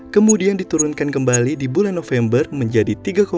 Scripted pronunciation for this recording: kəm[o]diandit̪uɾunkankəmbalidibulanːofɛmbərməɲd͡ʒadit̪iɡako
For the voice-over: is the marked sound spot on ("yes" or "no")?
no